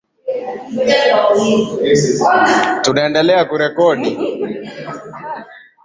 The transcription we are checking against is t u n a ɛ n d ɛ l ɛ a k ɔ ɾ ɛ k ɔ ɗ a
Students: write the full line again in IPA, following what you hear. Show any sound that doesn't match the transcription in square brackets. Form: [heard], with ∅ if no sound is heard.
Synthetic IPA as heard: t u n a ɛ n d ɛ l ɛ a k [u] ɾ ɛ k ɔ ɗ [i]